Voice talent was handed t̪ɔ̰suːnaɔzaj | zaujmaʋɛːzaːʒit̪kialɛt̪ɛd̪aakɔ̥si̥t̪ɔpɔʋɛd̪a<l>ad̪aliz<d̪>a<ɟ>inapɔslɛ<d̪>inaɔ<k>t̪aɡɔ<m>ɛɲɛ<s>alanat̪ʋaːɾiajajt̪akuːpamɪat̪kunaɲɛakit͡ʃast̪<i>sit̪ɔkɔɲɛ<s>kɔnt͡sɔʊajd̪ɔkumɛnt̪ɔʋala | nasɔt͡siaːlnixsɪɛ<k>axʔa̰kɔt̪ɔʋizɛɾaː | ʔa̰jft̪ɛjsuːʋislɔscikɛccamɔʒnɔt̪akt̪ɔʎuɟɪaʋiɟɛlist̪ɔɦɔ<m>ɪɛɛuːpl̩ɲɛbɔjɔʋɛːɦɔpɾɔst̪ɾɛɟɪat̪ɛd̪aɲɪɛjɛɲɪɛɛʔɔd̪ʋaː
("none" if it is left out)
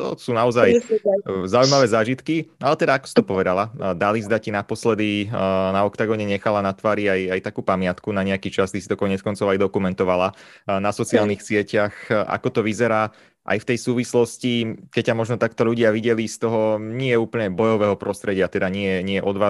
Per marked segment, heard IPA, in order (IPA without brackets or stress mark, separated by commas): l, d̪, c, d̪, k, ɲ, x, i, t͡s, c, ɲ